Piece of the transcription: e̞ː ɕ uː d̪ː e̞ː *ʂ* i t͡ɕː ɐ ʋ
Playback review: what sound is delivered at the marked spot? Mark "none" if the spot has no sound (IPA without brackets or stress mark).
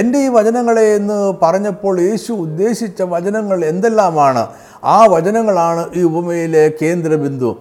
ɕ